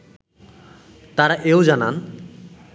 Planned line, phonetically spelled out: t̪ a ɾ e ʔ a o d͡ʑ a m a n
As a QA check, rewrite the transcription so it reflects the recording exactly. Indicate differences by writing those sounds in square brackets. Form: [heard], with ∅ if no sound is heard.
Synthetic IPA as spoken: t̪ a ɾ [a] ʔ [e] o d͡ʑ a [n] a n